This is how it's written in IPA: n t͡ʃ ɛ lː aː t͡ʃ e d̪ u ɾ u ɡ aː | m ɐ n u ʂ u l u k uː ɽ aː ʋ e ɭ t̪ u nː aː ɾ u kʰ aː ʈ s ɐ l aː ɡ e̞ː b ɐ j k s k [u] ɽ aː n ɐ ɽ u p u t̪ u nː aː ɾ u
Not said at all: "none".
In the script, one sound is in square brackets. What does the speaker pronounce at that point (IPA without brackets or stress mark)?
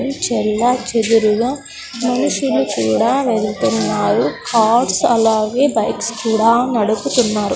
uː